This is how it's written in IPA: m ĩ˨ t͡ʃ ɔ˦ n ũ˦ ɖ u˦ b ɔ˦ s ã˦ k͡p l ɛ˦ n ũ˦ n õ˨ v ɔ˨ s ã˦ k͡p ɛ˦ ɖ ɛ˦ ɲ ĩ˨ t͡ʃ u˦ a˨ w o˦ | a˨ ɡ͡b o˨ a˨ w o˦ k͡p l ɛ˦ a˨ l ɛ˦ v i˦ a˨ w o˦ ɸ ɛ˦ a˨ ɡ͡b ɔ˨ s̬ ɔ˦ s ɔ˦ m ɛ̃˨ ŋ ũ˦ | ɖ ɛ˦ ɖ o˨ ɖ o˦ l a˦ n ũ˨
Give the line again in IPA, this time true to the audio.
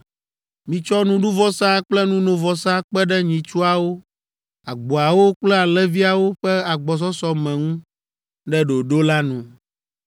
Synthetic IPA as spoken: m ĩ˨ t͡ʃ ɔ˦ n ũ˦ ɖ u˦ v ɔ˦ s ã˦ k͡p l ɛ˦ n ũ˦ n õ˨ v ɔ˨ s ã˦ k͡p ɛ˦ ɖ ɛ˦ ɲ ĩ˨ t͡ʃ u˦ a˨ w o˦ | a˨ ɡ͡b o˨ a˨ w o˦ k͡p l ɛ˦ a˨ l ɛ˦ v i˦ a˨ w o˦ ɸ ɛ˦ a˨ ɡ͡b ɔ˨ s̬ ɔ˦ s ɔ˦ m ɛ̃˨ ŋ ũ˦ | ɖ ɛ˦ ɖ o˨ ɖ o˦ l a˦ n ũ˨

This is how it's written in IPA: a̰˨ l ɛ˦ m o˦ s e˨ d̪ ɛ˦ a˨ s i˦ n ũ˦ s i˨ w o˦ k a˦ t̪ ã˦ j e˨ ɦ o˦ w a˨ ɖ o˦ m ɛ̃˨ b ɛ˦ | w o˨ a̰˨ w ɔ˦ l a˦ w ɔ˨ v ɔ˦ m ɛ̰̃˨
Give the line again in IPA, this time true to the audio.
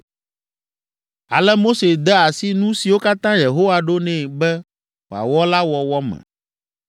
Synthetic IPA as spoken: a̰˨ l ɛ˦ m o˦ s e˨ d̪ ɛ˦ a˨ s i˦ n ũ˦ s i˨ w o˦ k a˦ t̪ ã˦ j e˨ ɦ o˦ w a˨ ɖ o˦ n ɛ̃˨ b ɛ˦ | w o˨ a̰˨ w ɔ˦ l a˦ w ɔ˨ w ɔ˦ m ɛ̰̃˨

